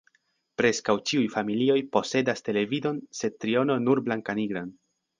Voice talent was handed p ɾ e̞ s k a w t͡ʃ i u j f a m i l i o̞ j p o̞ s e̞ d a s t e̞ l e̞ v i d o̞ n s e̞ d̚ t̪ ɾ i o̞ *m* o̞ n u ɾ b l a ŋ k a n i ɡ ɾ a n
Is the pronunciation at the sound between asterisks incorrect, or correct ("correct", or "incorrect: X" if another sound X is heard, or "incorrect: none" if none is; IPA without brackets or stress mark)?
incorrect: n